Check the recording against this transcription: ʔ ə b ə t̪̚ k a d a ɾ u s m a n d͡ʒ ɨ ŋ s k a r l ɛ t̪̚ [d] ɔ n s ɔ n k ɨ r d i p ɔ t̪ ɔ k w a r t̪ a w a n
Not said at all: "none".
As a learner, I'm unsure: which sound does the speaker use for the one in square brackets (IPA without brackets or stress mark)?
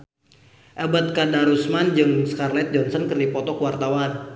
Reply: d͡ʒ